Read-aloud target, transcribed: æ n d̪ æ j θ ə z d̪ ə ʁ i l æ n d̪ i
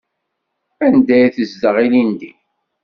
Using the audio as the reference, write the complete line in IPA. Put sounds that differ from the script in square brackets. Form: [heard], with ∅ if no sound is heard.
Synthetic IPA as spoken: æ n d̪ æ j θ ə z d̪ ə ʁ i l [i] n d̪ i